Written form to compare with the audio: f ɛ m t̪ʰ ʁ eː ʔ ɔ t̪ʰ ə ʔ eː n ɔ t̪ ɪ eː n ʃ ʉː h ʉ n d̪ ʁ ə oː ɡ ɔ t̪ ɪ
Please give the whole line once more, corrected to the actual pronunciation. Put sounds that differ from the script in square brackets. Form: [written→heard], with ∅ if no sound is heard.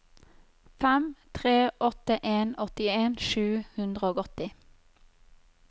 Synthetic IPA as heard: f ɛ m t̪ʰ ʁ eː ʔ ɔ [t̪ʰ→t̪] ə ʔ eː n ɔ t̪ ɪ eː n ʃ ʉː h ʉ n d̪ ʁ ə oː ɡ ɔ t̪ ɪ

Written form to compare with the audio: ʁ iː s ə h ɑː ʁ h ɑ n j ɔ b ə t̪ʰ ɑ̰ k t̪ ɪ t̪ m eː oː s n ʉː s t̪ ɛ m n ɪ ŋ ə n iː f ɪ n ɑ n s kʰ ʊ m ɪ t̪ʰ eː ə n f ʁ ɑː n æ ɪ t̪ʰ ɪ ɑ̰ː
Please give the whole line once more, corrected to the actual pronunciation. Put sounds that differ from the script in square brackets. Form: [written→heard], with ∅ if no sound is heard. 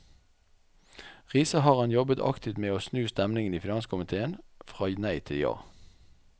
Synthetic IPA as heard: ʁ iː s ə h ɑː ʁ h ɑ n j ɔ b ə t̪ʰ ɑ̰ k t̪ ɪ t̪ m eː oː s n ʉː s t̪ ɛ m n ɪ ŋ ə n iː f ɪ n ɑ n s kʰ ʊ m ɪ t̪ʰ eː ə n f ʁ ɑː n æ ɪ t̪ʰ ɪ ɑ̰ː

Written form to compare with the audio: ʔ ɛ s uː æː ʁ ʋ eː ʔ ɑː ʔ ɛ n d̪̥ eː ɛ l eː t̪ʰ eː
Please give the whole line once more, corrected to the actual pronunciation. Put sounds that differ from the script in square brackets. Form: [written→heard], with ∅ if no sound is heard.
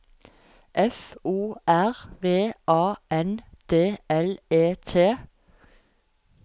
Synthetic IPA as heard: ʔ ɛ [s→f] uː [æː→æ] ʁ ʋ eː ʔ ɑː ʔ ɛ n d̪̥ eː ɛ l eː t̪ʰ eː

